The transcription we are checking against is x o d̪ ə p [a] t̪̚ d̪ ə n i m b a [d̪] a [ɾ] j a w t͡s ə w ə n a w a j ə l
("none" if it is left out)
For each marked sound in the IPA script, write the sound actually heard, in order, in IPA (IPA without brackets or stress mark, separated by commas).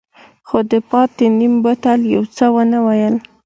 ɑ, t̪, l